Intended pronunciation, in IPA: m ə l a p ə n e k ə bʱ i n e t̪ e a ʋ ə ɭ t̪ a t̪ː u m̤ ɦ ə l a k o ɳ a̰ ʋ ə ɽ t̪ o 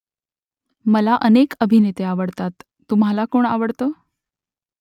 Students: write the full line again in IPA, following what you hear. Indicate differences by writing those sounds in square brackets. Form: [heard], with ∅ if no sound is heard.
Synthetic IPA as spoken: m ə l a [ʔ] ə n e k ə bʱ i n e t̪ e a ʋ ə [ɽ] t̪ a t̪ː u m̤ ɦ [a] l a k o ɳ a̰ ʋ ə ɽ t̪ o